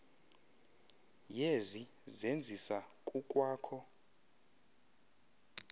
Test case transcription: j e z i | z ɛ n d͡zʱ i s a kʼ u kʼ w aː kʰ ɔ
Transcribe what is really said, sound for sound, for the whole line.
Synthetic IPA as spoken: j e z i | z e n d͡zʱ i s a kʼ u kʼ w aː kʰ ɔ